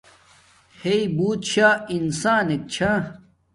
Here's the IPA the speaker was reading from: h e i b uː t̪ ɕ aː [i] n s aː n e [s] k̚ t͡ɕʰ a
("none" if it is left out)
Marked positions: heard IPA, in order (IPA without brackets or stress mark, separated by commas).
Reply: i, none